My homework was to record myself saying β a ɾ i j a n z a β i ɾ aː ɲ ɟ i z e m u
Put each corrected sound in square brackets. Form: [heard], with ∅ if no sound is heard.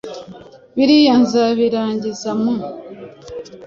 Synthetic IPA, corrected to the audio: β [i] ɾ i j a n z a β i ɾ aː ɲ ɟ i z [a] m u